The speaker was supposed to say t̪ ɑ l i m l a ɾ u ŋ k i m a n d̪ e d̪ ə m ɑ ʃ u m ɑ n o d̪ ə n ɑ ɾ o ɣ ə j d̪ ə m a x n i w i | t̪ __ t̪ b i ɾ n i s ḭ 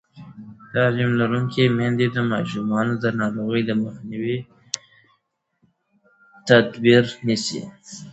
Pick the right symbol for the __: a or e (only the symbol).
a